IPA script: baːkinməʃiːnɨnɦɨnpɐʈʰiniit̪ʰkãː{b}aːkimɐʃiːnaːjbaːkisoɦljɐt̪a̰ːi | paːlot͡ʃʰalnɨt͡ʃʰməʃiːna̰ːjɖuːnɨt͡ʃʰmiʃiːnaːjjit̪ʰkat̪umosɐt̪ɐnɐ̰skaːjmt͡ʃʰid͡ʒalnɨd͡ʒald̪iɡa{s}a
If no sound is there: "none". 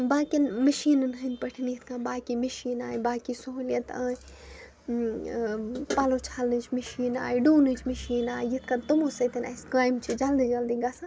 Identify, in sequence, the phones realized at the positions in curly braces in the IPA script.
b, s

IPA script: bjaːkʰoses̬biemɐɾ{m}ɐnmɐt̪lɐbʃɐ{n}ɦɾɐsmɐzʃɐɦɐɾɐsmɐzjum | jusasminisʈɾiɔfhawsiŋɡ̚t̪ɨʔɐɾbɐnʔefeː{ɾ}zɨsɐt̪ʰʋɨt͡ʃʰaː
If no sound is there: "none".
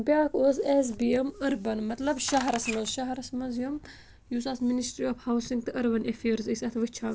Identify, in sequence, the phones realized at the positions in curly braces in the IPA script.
b, none, ɾ

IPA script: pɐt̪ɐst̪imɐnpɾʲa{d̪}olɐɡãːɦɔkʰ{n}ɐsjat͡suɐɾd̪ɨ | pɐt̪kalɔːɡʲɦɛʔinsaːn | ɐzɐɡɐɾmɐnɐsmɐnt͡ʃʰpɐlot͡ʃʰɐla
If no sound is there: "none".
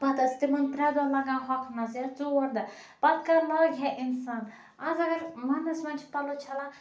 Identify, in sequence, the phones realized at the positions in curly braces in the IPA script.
d̪, n

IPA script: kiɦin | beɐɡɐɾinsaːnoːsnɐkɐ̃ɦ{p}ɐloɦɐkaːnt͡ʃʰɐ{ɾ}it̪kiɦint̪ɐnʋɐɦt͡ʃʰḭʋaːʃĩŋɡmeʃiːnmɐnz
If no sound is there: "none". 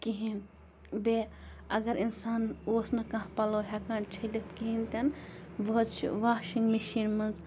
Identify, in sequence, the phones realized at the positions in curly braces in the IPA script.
p, l

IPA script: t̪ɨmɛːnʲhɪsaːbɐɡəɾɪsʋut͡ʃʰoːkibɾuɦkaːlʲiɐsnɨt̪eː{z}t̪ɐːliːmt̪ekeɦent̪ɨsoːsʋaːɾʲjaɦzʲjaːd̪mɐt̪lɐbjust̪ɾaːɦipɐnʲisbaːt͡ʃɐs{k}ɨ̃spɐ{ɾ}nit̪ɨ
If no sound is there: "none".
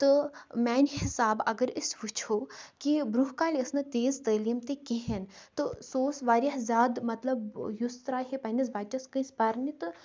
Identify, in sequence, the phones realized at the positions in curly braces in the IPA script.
z, k, ɾ

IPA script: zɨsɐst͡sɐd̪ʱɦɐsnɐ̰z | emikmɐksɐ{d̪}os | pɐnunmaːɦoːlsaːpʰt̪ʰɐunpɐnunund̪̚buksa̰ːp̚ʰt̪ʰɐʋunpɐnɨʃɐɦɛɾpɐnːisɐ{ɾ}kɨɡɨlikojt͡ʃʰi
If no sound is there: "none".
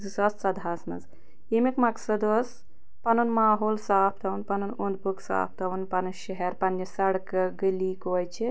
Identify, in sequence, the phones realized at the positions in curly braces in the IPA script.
d̪, ɽ

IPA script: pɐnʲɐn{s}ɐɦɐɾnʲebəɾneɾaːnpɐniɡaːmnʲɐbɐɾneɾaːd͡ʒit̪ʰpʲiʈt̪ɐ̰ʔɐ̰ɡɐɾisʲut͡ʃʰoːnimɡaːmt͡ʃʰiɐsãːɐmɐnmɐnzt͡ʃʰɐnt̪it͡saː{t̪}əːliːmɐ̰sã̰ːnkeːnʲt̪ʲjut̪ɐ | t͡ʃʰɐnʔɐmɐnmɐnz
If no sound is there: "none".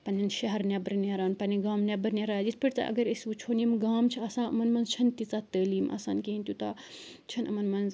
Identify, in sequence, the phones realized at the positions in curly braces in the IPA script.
ʃ, t̪

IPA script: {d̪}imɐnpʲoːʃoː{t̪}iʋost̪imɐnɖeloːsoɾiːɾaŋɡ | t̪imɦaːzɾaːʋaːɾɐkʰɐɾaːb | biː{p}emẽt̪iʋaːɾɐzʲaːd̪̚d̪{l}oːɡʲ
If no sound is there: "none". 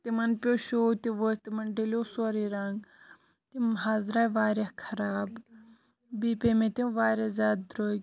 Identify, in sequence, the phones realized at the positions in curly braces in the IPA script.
t̪, t̪, p, ɾ

